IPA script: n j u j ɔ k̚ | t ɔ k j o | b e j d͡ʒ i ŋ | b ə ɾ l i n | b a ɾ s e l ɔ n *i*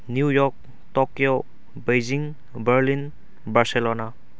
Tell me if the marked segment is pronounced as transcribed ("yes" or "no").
no